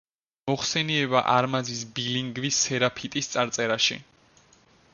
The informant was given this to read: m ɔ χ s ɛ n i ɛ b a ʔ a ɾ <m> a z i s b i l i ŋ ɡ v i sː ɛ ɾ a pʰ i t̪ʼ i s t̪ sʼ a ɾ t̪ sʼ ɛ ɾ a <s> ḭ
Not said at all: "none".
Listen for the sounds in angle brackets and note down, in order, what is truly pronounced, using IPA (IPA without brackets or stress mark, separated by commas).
m, ʃ